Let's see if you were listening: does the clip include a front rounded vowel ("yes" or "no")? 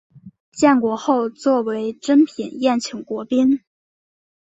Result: no